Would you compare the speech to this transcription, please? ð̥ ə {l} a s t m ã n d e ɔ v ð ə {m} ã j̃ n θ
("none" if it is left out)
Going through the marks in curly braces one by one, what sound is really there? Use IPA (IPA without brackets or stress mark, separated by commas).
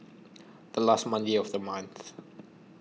l, m